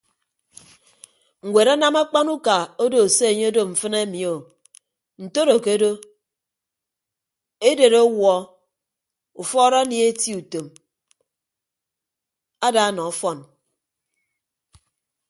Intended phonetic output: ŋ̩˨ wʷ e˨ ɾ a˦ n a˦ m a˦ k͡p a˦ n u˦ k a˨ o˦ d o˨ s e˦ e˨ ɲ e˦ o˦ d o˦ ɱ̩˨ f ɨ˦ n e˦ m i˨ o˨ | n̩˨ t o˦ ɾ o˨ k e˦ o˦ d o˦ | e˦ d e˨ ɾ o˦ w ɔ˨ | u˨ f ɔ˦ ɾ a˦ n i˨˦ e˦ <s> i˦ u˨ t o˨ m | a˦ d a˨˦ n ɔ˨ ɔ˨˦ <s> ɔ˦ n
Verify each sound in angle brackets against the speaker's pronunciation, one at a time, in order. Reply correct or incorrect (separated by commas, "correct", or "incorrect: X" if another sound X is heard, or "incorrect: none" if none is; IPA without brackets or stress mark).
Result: incorrect: t, incorrect: f